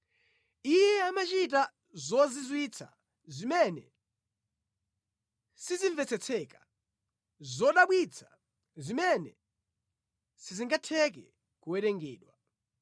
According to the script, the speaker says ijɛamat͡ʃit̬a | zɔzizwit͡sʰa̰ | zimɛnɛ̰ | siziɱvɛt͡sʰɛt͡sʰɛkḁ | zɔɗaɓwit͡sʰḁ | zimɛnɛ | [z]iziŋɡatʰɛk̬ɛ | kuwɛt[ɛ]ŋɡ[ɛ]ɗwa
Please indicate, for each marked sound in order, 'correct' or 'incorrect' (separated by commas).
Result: incorrect, correct, incorrect